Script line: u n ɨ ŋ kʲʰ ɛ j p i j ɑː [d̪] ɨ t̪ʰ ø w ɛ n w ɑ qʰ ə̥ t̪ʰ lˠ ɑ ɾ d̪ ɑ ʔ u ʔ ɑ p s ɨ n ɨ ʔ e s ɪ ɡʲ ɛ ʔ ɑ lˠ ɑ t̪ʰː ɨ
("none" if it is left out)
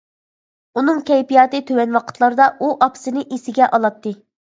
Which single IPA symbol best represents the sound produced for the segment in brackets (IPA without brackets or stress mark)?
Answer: t̪